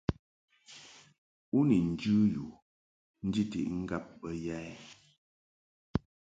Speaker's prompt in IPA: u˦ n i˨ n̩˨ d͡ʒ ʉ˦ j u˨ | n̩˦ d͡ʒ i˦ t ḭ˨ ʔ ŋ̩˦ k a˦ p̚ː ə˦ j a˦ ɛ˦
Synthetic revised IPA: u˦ n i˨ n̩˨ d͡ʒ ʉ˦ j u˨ | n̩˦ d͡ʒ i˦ t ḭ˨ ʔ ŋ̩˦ ɡ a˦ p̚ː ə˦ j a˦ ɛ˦